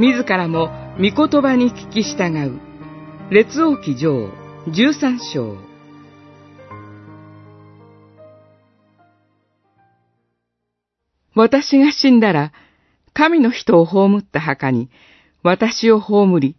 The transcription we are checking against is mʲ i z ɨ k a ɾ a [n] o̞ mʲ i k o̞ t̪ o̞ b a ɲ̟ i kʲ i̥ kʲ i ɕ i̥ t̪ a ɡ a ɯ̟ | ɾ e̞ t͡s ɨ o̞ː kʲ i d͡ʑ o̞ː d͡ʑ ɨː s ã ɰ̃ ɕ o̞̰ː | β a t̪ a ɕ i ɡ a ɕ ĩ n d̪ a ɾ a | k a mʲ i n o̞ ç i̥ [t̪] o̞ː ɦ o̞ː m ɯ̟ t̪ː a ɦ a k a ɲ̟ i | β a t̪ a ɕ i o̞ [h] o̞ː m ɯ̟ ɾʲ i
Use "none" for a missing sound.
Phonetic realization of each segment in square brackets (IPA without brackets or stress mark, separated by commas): m, t̪, h